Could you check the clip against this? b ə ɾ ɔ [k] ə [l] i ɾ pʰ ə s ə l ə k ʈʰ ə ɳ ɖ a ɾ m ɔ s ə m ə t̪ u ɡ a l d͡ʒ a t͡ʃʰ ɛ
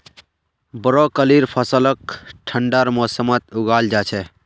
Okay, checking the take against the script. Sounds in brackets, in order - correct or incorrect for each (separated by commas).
correct, correct